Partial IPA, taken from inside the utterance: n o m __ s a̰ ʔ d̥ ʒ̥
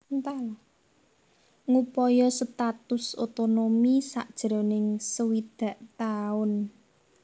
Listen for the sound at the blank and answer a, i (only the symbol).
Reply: i